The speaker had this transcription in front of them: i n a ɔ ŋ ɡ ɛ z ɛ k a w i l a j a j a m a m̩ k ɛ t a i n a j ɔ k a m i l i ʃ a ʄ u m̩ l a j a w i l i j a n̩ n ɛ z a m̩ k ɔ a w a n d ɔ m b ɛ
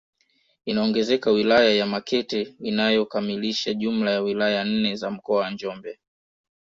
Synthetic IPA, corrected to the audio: i n a ɔ ŋ ɡ ɛ z ɛ k a w i l a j a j a m a k ɛ t ɛ i n a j ɔ k a m i l i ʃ a ʄ u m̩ l a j a w i l a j a n̩ n ɛ z a m̩ k ɔ a w a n d͡ʒ ɔ m b ɛ